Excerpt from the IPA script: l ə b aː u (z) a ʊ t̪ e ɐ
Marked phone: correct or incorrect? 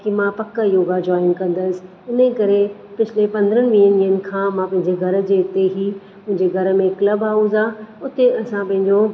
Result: correct